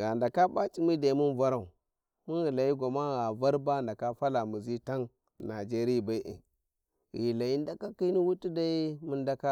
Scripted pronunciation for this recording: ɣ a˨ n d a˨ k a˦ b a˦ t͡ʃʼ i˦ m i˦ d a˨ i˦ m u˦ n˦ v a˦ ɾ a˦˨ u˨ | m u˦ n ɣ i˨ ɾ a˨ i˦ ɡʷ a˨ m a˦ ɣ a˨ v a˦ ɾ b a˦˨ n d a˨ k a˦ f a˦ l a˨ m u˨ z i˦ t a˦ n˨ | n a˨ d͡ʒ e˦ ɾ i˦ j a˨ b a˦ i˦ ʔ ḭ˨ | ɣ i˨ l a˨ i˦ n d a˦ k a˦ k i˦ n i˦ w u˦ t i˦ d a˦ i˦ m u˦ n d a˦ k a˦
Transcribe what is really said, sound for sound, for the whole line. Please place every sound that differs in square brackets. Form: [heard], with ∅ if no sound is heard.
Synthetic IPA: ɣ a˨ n d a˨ k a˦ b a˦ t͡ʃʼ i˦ m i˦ d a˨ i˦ m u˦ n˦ v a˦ ɾ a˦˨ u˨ | m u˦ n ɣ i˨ [l] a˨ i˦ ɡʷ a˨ m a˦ ɣ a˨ v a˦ ɾ b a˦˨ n d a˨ k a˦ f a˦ l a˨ m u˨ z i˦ t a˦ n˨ | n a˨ d͡ʒ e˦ ɾ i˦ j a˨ b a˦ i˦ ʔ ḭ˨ | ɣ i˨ l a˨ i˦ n d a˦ k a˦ k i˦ n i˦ w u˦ t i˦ d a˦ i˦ m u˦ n d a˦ k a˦